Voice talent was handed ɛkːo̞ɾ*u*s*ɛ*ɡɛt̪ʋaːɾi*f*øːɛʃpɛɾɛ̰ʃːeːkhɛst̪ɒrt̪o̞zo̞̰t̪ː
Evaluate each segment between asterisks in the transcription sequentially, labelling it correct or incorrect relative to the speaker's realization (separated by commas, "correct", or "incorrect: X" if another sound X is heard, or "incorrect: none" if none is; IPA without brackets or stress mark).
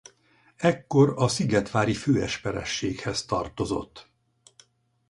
incorrect: ɒ, incorrect: i, correct